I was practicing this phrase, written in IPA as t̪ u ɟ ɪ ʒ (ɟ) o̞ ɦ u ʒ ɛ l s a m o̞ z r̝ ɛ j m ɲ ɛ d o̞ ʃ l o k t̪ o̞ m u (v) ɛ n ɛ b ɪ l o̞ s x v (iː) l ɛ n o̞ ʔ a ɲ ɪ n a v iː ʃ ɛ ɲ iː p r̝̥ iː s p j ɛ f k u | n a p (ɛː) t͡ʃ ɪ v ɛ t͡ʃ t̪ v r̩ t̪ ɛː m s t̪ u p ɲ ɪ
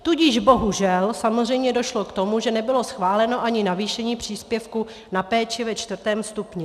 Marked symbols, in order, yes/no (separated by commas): no, no, no, yes